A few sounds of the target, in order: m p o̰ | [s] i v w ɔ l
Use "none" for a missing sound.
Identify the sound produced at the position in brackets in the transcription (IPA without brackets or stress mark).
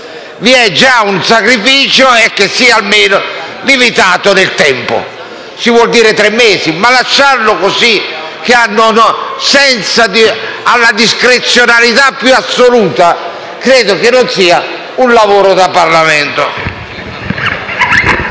s